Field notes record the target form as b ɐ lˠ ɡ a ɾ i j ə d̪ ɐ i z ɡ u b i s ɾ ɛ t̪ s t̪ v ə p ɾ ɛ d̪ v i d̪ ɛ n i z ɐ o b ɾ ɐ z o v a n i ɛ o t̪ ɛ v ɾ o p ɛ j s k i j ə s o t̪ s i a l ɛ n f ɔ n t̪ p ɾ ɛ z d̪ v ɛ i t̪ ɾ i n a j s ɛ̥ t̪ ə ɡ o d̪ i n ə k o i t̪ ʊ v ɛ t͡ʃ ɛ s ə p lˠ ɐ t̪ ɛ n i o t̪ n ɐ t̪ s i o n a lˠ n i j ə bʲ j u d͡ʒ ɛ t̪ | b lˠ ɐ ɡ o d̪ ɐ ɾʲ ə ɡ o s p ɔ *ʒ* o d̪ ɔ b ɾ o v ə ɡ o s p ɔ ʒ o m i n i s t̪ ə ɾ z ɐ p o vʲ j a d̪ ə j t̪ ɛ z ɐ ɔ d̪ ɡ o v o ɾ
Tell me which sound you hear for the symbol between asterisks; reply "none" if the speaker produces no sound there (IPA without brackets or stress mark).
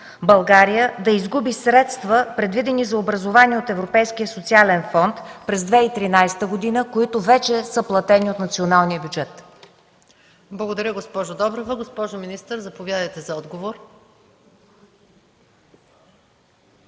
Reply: ʒ